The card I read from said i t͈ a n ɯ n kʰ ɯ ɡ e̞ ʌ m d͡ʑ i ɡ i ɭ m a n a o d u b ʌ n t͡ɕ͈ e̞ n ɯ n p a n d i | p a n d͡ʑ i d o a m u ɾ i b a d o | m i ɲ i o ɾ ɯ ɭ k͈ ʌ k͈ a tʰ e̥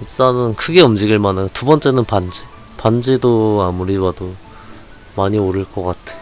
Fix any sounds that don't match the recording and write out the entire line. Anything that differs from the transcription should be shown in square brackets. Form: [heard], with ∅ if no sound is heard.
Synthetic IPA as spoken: i t͈ a n ɯ n kʰ ɯ ɡ e̞ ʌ m d͡ʑ i ɡ i ɭ m a n a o [t] u b ʌ n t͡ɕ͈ e̞ n ɯ n p a n [d͡ʑ] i | p a n d͡ʑ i d o a m u ɾ i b a d o | m [a] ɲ i o ɾ ɯ ɭ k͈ ʌ k͈ a tʰ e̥